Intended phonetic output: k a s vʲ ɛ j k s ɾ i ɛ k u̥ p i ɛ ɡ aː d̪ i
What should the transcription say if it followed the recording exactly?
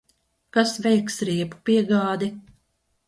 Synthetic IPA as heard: k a s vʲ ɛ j k s ɾ i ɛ p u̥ p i ɛ ɡ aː d̪ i